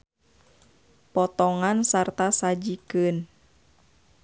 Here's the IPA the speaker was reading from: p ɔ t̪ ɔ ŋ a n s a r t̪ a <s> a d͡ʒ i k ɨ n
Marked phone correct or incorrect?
correct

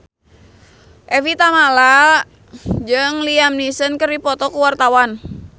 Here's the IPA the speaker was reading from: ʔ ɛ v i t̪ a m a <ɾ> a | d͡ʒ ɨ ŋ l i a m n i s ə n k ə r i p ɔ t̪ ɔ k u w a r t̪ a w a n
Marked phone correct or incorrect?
incorrect: l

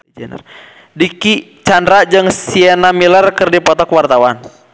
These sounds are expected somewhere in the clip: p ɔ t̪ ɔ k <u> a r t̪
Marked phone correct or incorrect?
incorrect: w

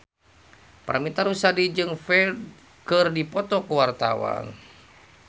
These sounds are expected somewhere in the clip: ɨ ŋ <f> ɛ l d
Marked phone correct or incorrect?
correct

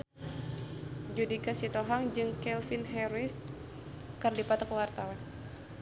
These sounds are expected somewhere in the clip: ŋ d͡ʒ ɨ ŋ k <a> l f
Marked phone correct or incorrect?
incorrect: ɛ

